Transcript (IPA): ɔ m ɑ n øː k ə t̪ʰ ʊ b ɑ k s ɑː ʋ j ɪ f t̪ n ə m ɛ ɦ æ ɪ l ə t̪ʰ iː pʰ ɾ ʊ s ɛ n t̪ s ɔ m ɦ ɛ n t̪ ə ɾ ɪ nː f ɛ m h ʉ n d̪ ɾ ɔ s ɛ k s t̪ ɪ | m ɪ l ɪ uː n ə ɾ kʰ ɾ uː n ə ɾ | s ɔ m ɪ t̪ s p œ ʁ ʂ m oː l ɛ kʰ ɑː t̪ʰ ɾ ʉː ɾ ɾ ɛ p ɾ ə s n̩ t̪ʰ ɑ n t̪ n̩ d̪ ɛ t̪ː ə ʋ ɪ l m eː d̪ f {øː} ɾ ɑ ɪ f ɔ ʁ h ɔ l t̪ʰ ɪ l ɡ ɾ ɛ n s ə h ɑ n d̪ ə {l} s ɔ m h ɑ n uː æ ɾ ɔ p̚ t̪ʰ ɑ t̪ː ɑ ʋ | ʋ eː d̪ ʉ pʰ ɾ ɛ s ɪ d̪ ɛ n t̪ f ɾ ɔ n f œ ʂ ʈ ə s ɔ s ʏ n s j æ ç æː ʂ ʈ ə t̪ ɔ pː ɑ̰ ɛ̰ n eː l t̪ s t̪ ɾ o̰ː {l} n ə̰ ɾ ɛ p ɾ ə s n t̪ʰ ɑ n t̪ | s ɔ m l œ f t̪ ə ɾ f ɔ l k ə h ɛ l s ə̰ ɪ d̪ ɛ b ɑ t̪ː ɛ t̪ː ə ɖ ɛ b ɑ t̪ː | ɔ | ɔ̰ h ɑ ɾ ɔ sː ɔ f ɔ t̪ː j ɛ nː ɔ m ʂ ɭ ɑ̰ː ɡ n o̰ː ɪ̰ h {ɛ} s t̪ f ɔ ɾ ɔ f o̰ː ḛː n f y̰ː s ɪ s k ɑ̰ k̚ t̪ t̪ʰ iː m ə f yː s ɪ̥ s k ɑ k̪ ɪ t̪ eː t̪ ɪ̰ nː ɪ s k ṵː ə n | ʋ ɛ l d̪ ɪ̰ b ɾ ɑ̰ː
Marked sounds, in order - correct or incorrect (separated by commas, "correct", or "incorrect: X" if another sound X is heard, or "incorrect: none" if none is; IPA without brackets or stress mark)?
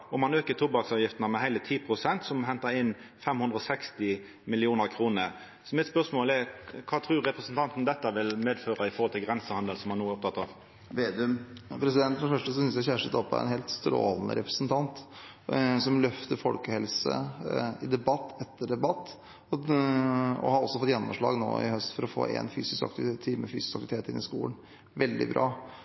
correct, correct, correct, incorrect: œ